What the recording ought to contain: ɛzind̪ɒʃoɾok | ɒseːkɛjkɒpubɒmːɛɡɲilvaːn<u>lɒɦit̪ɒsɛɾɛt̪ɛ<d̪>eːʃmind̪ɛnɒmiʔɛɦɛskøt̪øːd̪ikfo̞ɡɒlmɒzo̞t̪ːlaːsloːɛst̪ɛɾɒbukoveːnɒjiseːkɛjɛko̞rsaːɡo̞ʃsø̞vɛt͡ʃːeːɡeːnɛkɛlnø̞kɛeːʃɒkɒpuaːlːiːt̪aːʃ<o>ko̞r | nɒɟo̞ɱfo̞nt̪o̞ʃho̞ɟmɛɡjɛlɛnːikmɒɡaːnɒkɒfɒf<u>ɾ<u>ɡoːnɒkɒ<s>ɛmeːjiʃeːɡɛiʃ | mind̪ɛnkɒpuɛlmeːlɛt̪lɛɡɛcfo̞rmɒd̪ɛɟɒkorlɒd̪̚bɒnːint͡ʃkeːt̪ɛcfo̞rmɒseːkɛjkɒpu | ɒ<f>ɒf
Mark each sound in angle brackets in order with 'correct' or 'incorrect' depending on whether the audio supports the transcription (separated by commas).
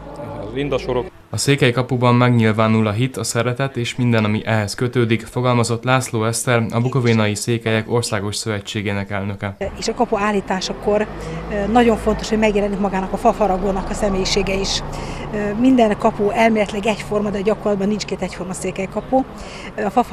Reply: correct, incorrect, incorrect, incorrect, incorrect, correct, correct